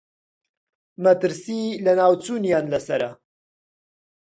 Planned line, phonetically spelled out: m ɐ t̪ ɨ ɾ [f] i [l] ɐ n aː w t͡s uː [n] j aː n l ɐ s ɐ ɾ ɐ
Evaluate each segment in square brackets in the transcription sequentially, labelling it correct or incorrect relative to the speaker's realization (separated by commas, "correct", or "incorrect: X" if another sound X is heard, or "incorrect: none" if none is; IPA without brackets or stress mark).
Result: incorrect: s, correct, correct